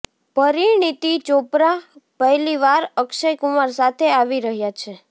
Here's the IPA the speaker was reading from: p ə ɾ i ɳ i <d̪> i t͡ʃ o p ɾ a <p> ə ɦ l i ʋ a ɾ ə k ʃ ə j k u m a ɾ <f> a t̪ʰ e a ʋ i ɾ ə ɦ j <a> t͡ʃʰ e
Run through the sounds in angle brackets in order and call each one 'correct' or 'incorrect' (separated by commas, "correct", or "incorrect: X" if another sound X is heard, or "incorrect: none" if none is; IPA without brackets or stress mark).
incorrect: t̪, correct, incorrect: s, correct